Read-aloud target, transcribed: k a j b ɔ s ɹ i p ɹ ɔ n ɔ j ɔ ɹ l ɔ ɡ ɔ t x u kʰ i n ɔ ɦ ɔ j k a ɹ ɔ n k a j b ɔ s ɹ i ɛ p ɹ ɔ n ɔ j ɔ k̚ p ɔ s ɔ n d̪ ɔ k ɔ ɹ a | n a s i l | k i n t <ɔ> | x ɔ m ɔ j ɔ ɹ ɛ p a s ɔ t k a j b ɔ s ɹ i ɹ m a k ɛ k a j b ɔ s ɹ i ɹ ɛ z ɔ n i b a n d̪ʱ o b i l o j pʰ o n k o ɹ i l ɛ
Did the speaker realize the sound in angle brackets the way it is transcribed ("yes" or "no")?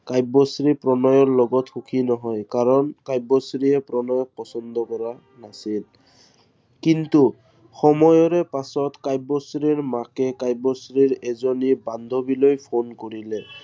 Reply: no